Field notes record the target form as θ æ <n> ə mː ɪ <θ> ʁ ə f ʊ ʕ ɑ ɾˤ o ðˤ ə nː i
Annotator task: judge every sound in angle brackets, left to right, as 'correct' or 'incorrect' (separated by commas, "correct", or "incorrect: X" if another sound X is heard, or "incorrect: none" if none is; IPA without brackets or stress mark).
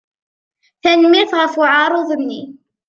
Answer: correct, correct